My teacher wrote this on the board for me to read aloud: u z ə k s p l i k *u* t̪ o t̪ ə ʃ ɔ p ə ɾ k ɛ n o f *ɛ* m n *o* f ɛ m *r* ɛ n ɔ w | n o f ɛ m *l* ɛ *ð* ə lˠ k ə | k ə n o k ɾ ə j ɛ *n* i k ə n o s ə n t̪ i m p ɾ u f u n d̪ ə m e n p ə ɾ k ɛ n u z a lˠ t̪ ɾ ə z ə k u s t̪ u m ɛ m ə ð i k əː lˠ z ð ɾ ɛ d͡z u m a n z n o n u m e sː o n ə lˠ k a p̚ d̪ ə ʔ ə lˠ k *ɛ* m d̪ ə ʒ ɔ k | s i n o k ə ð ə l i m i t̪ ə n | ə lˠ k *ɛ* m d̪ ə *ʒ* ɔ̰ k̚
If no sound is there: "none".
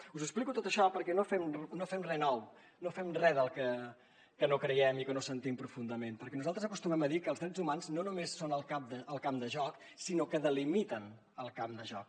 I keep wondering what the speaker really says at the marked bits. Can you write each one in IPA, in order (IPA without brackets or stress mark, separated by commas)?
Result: u, ɛ, o, r, r, ð, m, a, a, ʒ